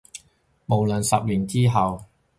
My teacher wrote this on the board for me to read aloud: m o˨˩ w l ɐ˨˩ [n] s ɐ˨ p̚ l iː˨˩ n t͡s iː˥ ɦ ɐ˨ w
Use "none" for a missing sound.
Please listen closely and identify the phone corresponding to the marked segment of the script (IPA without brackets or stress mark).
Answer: n